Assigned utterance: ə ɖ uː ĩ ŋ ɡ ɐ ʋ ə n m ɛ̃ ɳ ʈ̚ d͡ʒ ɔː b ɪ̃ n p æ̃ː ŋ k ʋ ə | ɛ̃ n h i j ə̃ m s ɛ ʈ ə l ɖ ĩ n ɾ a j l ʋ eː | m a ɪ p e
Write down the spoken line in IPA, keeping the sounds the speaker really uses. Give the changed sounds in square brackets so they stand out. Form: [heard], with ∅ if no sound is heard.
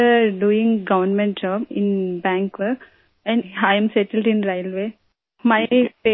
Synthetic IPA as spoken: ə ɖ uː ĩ ŋ ɡ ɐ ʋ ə n m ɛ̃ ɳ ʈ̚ d͡ʒ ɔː b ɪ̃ n [b] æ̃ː ŋ k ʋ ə | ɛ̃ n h [a] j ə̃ m s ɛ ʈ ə l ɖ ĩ n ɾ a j l ʋ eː | m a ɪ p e